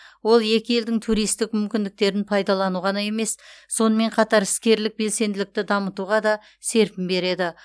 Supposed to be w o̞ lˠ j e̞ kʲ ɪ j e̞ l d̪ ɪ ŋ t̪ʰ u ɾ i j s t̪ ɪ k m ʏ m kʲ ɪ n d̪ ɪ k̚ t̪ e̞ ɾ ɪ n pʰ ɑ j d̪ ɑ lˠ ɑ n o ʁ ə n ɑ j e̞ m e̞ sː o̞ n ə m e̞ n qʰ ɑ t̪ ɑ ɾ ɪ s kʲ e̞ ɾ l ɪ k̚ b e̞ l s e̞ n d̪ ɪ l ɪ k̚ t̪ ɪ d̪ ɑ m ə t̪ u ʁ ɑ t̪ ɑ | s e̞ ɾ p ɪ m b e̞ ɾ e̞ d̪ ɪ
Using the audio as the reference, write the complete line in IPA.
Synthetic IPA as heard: w o̞ lˠ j e̞ kʲ ɪ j e̞ l d̪ ɪ ŋ t̪ʰ u ɾ i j s t̪ ɪ k m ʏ m kʲ ɪ n d̪ ɪ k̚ t̪ e̞ ɾ ɪ n pʰ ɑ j d̪ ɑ lˠ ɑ n u ʁ ɑ n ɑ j e̞ m e̞ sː o̞ n ə m e̞ ɴ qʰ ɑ t̪ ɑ ɾ ɪ s kʲ e̞ ɾ l ɪ k̚ b e̞ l s e̞ n d̪ ɪ l ɪ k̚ t̪ ɪ d̪ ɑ m ə t̪ u ʁ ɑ d̪ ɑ | s e̞ ɾ p ɪ m b e̞ ɾ e̞ d̪ ɪ